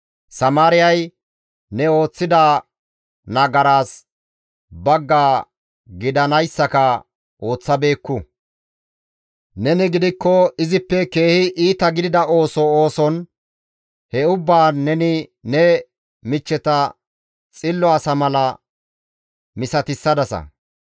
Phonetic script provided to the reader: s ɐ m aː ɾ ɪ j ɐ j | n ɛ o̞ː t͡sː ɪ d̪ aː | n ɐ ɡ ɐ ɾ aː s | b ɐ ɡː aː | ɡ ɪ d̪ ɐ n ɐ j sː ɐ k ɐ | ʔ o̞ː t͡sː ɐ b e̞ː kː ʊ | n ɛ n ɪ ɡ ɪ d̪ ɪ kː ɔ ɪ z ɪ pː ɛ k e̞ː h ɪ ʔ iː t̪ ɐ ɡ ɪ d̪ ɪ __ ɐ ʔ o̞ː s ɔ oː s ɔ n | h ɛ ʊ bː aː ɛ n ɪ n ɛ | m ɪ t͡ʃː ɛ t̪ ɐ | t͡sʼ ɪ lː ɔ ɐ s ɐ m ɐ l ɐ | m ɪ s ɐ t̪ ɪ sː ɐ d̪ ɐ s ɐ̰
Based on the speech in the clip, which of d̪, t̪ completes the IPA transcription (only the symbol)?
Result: d̪